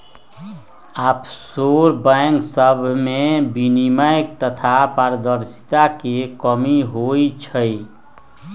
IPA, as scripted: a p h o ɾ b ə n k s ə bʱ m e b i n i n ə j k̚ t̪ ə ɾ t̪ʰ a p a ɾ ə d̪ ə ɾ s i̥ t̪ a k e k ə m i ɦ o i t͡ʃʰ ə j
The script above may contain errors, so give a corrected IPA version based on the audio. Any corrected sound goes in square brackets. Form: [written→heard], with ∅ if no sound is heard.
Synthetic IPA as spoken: a p [h→s] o ɾ b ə [n→ŋ] k s ə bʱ m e b i n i [n→m] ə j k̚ t̪ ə [ɾ→∅] t̪ʰ a p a ɾ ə d̪ ə ɾ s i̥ t̪ a k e k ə m i ɦ o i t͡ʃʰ ə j